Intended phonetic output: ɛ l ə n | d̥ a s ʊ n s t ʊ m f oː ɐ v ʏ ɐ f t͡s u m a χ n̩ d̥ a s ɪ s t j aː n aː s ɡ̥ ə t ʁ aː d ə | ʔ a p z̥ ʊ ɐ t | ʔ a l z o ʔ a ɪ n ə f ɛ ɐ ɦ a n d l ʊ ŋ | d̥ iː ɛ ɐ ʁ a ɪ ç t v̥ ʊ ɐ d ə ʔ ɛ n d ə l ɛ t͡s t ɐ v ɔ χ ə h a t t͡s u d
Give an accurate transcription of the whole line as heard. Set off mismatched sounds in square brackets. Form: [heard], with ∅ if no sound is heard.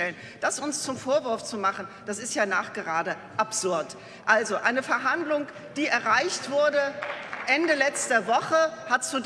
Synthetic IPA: ɛ l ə n | d̥ a s ʊ n s [t͡s] ʊ m f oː ɐ v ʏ ɐ f t͡s u m a χ n̩ d̥ a s ɪ s t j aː n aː [χ] ɡ̥ ə [∅] ʁ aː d ə | ʔ a p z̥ ʊ ɐ t | ʔ a l z o ʔ a ɪ n ə f ɛ ɐ ɦ a n d l ʊ ŋ | d̥ iː ɛ ɐ ʁ a ɪ ç t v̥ ʊ ɐ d ə ʔ ɛ n d ə l ɛ t͡s t ɐ v ɔ χ ə h a t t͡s u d